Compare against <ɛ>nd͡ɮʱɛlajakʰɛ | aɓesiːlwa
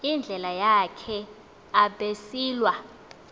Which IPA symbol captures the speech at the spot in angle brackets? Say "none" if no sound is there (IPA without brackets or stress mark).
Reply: i